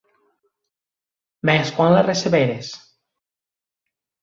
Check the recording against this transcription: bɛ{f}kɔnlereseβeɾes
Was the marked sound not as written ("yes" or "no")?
yes